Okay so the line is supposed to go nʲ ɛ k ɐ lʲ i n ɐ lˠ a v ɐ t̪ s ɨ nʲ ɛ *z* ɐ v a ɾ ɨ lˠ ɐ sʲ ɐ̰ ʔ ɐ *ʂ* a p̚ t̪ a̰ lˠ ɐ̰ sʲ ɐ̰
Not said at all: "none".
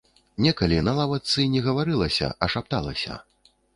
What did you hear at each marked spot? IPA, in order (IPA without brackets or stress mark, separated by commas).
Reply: ɣ, ʂ